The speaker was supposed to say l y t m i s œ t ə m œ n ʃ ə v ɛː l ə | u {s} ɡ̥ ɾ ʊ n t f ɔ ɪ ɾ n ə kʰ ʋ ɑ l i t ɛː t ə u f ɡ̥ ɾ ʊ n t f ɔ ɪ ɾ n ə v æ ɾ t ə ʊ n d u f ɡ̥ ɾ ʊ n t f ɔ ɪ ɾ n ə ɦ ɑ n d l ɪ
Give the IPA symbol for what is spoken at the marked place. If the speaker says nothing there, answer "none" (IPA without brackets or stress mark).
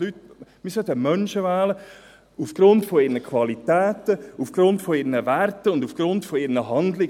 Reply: f